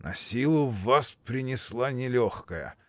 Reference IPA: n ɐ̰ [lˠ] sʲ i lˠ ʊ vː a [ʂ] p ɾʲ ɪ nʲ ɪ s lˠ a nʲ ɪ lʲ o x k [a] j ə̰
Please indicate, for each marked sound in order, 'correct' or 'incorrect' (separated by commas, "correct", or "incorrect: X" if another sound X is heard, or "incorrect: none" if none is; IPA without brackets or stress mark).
incorrect: none, incorrect: s, incorrect: ə